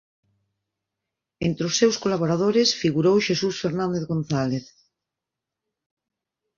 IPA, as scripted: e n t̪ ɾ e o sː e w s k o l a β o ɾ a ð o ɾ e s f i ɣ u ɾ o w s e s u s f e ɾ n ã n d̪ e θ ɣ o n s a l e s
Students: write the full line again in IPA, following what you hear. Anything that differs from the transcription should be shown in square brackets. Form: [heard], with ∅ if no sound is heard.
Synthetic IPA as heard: e n t̪ ɾ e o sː e w s k o l a β o ɾ a ð o ɾ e s f i ɣ u ɾ o w [ʃ] e s u s f e ɾ n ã n d̪ e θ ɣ o n [θ] a l e [θ]